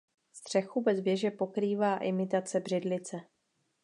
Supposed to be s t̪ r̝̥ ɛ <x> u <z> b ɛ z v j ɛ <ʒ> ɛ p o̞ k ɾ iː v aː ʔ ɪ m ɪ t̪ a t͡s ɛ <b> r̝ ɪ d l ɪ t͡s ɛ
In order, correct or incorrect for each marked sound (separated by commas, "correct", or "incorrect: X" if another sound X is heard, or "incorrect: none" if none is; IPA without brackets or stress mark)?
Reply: correct, incorrect: none, correct, correct